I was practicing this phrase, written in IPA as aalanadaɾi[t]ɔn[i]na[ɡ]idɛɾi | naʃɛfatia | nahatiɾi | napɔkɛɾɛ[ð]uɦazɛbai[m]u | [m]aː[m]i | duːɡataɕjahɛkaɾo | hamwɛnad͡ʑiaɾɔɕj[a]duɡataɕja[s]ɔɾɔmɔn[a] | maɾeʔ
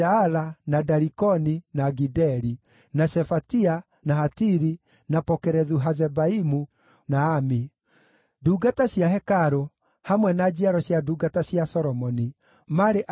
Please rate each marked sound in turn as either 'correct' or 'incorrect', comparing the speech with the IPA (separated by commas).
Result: incorrect, correct, correct, correct, correct, incorrect, correct, correct, correct, incorrect